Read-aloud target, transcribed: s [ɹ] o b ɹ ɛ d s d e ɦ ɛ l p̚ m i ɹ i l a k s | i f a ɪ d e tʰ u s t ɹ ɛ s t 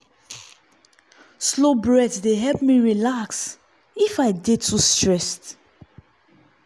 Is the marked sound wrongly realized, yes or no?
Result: yes